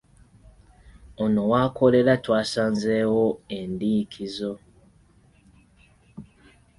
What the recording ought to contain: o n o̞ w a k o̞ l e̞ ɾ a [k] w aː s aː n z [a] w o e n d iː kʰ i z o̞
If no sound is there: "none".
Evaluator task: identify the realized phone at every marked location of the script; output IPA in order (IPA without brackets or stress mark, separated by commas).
t, e